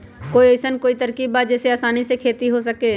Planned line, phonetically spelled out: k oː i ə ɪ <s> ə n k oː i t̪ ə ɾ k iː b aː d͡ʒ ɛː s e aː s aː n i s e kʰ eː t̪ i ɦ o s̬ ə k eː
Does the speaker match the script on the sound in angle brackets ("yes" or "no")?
yes